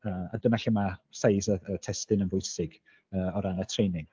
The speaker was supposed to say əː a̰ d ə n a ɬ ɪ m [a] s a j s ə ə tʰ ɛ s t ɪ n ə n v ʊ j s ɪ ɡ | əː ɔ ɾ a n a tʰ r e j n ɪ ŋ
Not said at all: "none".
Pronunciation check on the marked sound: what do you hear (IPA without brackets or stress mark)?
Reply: a